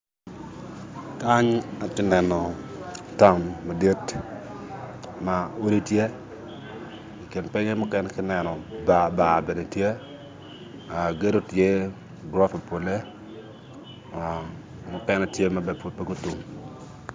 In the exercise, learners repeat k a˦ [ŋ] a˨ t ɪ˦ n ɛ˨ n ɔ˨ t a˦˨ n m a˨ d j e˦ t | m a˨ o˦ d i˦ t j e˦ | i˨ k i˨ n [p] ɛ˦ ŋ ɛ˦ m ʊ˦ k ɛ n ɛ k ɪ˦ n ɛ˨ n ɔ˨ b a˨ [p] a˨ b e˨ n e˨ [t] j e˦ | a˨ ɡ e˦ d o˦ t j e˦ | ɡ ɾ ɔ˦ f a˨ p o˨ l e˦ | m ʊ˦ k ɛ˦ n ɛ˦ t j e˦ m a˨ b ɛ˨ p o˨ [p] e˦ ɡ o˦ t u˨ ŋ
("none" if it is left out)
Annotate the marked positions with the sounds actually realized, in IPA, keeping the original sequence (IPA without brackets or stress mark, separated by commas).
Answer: ɲ, p, b, t, p